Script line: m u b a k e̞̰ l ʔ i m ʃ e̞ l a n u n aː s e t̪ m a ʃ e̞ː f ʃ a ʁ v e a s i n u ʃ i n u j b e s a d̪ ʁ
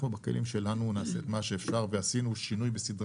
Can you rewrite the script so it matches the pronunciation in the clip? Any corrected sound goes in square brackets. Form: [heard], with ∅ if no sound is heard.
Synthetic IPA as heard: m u b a k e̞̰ l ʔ i m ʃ e̞ l a n u n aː s e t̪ m a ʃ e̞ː f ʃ a ʁ v e a s i n u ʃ i n u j b e s [i] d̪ ʁ